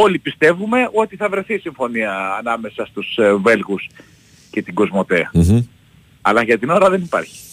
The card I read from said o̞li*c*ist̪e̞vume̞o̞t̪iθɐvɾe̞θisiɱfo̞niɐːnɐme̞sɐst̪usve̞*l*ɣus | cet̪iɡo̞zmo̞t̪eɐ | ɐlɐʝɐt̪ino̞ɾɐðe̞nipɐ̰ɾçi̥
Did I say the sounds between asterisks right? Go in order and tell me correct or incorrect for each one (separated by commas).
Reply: incorrect, correct